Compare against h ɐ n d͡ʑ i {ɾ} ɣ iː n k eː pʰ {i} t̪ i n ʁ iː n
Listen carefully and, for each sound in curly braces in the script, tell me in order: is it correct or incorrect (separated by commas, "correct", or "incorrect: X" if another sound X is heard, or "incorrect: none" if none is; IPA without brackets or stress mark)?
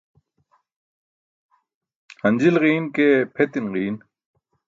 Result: incorrect: l, incorrect: e